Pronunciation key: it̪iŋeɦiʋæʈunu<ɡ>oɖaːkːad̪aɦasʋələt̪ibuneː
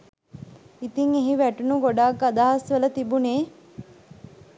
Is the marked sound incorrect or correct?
correct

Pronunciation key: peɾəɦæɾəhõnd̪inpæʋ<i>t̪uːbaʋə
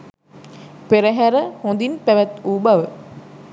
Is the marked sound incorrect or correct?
incorrect: æ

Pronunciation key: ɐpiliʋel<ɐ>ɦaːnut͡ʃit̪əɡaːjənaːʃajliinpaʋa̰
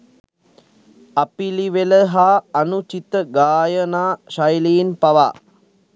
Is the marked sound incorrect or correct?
incorrect: ə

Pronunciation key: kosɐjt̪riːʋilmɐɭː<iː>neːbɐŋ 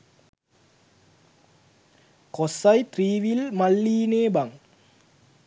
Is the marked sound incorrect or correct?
correct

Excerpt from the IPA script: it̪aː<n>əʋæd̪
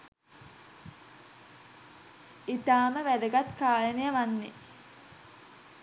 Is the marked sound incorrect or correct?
incorrect: m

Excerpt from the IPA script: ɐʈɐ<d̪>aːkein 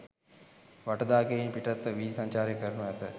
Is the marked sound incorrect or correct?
correct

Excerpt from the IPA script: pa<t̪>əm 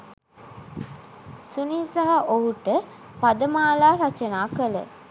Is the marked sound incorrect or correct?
incorrect: d̪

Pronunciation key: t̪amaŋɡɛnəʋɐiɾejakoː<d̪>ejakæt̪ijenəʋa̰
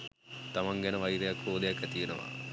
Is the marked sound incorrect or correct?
correct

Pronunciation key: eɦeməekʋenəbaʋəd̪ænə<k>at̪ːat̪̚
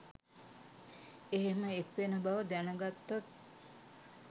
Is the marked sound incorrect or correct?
incorrect: ɡ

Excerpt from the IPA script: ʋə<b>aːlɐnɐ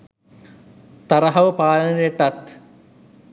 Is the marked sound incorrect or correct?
incorrect: p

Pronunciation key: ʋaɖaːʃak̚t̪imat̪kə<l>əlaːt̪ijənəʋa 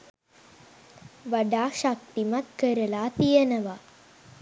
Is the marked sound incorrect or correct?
incorrect: ɾ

